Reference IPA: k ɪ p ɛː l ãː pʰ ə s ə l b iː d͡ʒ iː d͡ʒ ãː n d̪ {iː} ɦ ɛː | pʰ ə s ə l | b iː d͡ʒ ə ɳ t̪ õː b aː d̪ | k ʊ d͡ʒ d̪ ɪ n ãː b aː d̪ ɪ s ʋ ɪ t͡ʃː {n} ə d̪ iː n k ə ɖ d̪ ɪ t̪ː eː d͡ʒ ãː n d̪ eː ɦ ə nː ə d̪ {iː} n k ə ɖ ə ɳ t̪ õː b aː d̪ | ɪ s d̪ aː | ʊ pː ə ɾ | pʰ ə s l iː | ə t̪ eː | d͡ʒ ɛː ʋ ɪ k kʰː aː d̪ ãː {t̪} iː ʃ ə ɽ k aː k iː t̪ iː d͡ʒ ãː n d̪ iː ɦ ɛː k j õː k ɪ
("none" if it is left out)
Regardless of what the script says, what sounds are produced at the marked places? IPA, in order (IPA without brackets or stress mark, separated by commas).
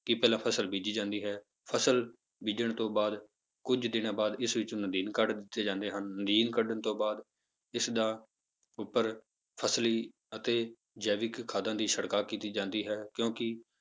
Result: iː, n, iː, d̪